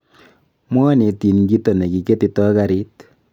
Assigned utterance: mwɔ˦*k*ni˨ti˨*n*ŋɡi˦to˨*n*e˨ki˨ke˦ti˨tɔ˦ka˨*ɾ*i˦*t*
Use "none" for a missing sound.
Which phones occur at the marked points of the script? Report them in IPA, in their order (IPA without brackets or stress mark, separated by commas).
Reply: none, n, n, ɾ, t